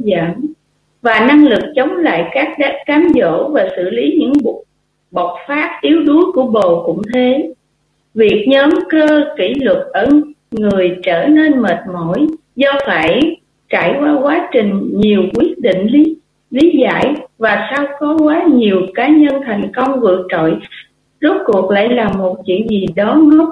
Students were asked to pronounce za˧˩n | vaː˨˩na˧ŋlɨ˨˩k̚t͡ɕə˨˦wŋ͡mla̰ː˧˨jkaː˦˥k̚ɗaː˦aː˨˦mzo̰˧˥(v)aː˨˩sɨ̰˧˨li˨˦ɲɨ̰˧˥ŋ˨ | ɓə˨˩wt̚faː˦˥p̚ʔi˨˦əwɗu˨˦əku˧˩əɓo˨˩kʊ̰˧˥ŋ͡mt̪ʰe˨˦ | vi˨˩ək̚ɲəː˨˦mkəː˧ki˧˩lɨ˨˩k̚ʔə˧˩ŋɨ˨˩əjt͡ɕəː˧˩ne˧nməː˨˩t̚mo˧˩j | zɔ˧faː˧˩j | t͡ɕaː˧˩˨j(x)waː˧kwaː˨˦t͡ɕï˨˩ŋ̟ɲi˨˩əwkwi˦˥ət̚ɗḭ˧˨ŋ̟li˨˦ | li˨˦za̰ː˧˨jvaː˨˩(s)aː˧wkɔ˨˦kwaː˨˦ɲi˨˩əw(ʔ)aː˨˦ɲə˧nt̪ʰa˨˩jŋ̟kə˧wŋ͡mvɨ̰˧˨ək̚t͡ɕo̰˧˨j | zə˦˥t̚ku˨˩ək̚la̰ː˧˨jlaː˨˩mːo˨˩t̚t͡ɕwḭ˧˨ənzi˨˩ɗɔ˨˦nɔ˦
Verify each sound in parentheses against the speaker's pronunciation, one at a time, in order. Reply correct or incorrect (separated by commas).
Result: correct, incorrect, correct, incorrect